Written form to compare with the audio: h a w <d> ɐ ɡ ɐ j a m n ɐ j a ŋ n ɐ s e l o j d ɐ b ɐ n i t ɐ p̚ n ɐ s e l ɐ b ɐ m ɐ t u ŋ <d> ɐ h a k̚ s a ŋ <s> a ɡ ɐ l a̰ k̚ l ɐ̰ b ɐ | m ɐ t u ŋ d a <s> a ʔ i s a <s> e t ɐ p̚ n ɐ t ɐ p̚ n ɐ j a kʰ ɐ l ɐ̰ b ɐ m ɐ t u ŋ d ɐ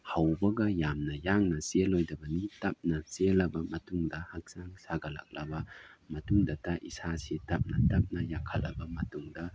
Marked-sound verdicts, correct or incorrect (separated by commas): incorrect, correct, correct, incorrect, correct